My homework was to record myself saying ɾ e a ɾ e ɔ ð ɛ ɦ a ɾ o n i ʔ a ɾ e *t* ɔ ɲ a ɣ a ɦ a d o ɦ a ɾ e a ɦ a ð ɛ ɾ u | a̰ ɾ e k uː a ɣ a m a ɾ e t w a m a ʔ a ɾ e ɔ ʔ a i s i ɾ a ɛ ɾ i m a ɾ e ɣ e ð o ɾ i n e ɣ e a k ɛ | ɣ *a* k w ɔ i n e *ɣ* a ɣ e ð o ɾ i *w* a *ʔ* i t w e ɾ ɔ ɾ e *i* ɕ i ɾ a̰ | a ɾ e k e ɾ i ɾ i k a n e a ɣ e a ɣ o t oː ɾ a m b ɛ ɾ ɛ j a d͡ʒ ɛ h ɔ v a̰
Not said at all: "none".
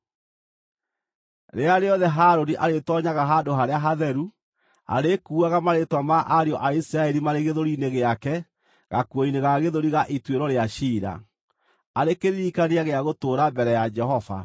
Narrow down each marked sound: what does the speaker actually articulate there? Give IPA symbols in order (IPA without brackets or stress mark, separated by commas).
t, a, ɣ, ɣ, ʔ, a